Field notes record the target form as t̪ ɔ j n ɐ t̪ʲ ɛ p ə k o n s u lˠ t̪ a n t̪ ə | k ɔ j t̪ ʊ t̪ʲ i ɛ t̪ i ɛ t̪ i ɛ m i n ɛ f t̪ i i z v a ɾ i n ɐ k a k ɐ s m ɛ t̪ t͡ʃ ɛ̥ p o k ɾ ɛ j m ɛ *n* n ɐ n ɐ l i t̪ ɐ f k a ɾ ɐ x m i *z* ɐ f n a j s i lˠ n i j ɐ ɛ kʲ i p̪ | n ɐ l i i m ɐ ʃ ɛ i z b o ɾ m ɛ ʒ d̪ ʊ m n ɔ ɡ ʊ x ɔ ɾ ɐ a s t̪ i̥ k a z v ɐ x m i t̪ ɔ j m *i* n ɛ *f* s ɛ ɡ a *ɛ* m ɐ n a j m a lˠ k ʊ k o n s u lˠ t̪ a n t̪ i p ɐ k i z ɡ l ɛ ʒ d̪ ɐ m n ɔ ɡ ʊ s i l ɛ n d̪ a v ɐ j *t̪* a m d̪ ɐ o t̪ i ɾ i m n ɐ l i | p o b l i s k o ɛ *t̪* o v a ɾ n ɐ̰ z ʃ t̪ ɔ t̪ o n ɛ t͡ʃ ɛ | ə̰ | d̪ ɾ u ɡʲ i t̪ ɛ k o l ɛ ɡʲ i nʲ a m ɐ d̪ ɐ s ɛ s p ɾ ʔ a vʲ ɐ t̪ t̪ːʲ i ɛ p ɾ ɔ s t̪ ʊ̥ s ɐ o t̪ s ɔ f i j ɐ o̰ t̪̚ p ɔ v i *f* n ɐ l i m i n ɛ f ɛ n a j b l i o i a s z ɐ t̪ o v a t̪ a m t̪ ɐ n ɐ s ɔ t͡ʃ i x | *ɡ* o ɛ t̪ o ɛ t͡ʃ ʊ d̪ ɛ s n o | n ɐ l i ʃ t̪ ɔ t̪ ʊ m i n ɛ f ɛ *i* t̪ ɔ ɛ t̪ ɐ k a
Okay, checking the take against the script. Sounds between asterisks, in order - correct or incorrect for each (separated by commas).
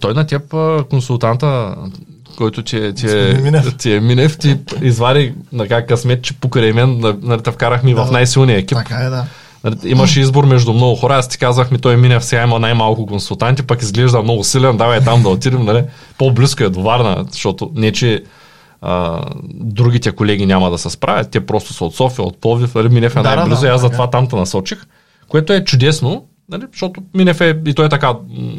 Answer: correct, incorrect, correct, correct, incorrect, correct, incorrect, correct, incorrect, correct